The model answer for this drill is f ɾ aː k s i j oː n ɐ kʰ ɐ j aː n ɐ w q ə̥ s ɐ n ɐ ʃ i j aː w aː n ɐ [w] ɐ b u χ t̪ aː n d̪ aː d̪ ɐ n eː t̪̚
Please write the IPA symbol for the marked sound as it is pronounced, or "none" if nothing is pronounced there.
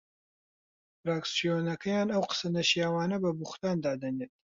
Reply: b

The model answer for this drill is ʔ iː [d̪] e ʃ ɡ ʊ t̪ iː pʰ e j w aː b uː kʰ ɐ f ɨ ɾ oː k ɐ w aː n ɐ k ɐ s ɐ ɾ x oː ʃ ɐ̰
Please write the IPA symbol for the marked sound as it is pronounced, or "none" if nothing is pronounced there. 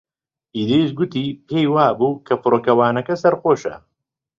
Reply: d̪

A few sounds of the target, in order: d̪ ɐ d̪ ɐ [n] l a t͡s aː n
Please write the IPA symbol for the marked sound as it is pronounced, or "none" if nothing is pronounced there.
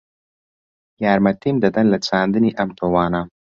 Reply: n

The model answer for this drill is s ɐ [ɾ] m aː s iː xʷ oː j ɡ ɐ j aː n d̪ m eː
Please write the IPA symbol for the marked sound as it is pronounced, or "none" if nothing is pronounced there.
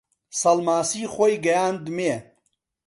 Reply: l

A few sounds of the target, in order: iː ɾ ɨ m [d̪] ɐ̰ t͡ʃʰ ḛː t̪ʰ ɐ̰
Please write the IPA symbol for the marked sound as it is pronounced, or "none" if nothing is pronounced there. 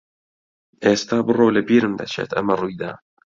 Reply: d̪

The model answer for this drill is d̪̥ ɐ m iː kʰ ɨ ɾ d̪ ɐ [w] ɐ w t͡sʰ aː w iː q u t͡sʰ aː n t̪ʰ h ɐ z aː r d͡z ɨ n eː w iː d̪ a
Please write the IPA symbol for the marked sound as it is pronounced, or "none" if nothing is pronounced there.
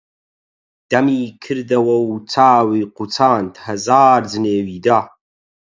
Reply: w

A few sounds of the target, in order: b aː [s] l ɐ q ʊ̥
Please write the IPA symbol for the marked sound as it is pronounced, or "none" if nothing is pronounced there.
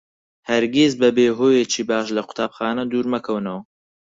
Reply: ʃ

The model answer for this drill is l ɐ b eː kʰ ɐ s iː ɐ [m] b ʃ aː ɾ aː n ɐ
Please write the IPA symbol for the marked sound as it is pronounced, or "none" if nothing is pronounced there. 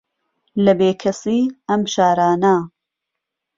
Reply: m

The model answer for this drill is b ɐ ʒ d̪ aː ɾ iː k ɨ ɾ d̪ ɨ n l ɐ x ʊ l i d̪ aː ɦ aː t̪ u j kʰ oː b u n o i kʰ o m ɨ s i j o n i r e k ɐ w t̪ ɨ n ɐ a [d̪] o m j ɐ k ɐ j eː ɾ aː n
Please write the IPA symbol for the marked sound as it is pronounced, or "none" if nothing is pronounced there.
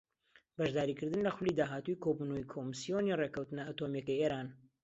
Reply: t̪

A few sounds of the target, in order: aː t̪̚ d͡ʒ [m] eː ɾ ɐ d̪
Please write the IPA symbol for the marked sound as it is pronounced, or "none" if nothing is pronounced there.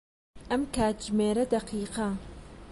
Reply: m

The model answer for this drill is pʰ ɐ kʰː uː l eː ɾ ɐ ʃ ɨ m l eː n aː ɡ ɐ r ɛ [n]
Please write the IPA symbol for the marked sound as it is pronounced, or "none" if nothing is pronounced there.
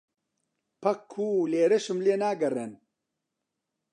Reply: n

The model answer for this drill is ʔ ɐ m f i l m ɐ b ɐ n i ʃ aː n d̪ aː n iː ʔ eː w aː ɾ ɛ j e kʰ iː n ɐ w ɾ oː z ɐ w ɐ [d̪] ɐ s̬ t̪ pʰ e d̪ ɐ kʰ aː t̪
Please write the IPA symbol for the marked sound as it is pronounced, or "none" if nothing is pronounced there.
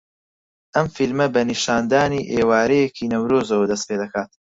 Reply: d̪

